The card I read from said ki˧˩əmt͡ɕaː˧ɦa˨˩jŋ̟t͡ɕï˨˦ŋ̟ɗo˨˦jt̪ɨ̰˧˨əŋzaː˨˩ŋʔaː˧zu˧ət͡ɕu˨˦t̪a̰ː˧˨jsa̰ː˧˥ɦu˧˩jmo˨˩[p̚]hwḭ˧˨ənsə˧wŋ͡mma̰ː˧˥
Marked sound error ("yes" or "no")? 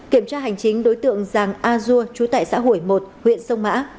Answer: yes